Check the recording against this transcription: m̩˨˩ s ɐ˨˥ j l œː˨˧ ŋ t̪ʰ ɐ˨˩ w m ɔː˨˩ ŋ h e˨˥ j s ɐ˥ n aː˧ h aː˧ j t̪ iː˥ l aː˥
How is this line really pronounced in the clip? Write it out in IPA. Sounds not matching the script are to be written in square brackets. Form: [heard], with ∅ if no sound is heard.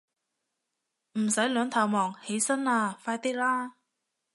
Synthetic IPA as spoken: m̩˨˩ s ɐ˨˥ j l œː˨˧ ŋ t̪ʰ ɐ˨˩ w m ɔː˨˩ ŋ h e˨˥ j s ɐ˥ n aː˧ [f] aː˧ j t̪ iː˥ l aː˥